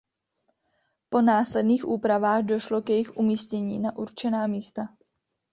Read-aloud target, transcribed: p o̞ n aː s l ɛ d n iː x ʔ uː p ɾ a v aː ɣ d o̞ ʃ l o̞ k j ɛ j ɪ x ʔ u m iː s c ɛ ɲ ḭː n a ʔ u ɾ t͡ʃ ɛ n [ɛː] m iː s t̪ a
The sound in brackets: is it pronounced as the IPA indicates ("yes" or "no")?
no